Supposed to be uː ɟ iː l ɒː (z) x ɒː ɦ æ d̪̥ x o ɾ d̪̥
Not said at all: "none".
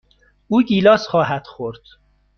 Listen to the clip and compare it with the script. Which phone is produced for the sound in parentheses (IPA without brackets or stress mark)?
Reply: s